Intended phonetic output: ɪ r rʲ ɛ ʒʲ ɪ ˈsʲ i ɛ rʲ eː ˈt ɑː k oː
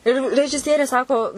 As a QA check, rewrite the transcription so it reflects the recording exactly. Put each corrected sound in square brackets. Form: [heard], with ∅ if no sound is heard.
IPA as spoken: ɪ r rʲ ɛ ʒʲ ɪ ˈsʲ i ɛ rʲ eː [ˈs] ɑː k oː